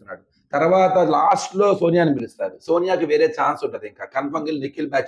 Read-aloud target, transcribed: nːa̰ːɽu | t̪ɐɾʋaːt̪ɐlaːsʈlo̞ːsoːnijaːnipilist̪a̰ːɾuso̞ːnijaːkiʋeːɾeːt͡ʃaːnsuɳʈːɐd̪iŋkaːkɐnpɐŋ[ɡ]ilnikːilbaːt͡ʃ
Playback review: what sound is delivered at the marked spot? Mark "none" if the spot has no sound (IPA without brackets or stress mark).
ɡ